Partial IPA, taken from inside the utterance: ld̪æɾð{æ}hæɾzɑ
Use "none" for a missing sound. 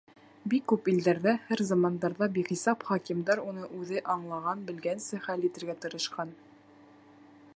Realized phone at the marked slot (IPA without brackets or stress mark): æ